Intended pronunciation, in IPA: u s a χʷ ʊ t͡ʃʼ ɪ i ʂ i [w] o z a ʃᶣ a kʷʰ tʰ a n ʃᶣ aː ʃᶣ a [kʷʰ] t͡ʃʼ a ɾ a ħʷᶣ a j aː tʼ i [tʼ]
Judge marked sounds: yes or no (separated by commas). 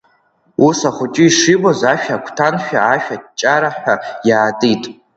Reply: no, no, yes